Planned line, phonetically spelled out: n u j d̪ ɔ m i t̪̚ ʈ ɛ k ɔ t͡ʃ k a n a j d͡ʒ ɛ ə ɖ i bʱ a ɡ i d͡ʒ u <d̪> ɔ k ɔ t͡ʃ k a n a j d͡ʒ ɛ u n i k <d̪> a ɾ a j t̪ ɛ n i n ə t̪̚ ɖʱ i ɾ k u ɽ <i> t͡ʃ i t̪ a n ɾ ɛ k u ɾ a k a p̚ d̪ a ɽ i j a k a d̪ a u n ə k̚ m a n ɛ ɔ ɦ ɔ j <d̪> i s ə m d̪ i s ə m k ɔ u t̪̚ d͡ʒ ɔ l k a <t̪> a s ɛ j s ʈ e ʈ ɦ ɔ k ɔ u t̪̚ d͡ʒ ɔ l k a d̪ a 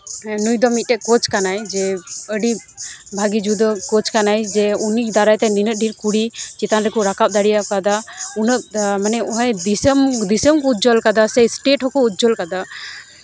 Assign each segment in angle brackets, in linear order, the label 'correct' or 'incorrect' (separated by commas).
correct, correct, correct, correct, incorrect